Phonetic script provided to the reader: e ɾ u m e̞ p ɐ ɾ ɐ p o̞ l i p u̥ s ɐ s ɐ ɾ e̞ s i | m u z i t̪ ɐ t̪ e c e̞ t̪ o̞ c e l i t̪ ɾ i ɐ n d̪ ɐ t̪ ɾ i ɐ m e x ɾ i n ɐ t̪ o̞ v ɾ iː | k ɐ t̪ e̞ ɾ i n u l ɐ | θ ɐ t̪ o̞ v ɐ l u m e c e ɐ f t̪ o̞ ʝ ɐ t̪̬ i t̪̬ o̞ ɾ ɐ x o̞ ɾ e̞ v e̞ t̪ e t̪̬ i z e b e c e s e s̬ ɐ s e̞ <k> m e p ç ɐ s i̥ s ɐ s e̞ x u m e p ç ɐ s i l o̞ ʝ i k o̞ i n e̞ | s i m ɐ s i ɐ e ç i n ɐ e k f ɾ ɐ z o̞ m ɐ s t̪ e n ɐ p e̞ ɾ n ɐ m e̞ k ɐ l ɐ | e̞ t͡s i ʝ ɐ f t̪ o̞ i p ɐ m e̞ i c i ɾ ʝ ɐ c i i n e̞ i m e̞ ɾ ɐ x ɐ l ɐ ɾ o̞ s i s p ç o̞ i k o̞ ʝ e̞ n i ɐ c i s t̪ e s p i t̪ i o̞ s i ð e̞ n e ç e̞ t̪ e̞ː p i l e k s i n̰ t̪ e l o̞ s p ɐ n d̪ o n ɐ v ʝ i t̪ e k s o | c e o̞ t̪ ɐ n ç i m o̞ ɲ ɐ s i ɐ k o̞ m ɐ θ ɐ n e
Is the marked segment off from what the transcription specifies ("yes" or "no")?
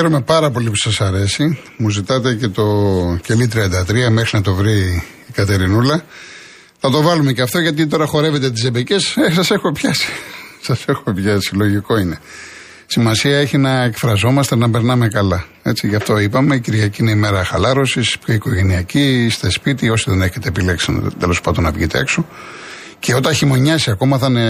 yes